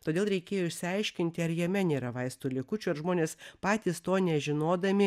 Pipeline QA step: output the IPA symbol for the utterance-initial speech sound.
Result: t̪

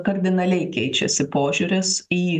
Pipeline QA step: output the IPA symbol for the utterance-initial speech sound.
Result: k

